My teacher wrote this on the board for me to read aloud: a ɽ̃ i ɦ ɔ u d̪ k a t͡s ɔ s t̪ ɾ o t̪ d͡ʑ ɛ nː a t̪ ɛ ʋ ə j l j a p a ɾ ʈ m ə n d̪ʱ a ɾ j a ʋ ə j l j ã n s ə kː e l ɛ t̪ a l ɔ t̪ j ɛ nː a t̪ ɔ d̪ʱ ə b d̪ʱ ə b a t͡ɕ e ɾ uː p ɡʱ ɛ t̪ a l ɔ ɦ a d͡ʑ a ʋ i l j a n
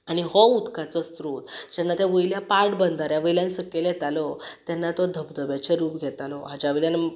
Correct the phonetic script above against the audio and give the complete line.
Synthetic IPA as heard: a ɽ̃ i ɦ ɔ u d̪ k a t͡s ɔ s t̪ ɾ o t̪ d͡ʑ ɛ nː a t̪ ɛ ʋ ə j l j a p a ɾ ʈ b ə n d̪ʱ a ɾ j a ʋ ə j l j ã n s ə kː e l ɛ t̪ a l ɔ t̪ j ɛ nː a t̪ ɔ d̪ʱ ə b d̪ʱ ə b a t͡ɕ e ɾ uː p ɡʱ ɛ t̪ a l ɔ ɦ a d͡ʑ a ʋ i l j a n